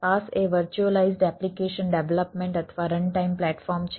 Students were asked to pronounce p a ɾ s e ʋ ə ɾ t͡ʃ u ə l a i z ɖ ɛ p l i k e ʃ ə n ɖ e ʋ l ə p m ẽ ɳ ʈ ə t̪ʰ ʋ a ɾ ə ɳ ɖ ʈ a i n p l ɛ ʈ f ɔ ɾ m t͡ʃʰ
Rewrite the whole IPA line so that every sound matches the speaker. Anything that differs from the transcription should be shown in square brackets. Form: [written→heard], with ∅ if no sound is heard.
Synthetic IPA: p a [ɾ→∅] s e ʋ ə ɾ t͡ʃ u ə l a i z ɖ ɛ p l i k e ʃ ə n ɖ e ʋ l ə p m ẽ ɳ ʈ ə t̪ʰ ʋ a ɾ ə ɳ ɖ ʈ a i [n→m] p l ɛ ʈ f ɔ ɾ m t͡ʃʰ